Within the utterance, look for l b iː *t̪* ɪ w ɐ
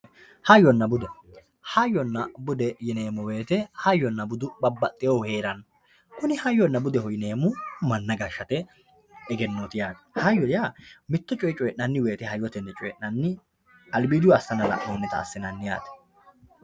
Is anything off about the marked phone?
yes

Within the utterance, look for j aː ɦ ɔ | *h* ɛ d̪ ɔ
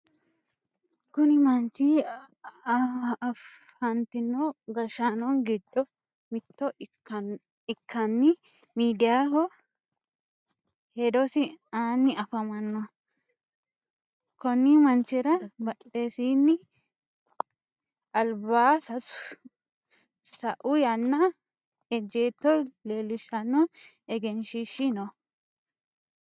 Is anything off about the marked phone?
no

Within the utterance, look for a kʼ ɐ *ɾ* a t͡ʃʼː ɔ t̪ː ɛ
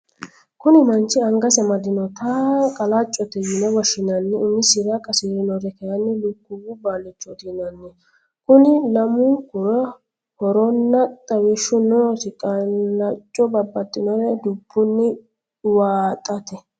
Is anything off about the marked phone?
yes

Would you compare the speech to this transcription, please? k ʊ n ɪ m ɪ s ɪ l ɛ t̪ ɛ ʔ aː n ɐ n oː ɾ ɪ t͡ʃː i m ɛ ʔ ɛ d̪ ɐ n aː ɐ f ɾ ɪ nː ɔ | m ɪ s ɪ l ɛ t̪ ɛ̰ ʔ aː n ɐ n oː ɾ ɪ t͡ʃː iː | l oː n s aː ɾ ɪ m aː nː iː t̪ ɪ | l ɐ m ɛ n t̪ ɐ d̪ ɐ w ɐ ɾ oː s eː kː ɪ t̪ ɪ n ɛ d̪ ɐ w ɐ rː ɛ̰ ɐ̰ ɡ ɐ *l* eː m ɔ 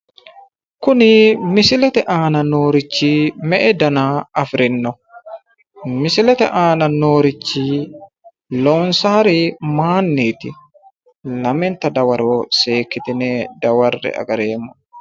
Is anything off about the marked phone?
yes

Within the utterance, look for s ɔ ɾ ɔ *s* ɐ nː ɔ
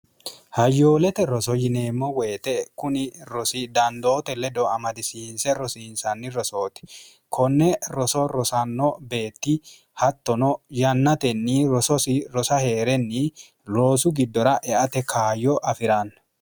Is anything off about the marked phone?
no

